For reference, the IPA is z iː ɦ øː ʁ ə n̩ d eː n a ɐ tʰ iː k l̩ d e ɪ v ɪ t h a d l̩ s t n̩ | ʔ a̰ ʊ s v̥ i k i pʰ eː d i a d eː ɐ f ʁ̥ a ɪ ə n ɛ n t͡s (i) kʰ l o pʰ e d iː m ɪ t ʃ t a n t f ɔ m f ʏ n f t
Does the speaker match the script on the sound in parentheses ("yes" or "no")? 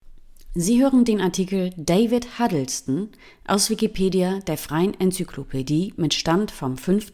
no